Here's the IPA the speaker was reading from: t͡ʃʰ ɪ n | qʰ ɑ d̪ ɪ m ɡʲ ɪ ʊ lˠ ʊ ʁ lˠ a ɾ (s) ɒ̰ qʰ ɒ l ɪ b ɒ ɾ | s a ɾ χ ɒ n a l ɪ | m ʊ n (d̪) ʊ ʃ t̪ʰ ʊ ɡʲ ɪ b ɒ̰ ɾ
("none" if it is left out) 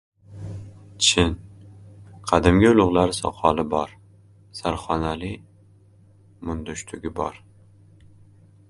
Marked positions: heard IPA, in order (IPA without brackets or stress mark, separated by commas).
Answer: s, d̪